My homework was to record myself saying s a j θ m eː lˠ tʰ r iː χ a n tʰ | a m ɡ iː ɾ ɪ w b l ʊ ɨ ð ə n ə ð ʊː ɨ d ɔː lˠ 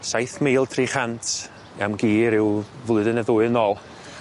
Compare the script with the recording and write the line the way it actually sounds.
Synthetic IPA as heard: s a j θ m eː lˠ tʰ r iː χ a n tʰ | a m ɡ iː ɾ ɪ w v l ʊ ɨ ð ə n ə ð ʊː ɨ n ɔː lˠ